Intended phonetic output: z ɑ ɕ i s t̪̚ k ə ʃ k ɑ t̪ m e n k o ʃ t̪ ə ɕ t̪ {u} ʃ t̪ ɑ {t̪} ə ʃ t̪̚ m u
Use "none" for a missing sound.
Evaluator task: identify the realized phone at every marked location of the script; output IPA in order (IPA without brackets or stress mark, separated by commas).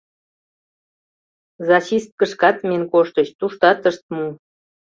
u, t̪